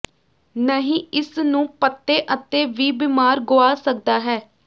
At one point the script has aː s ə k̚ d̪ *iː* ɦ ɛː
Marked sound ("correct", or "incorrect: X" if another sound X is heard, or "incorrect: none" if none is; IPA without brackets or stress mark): incorrect: aː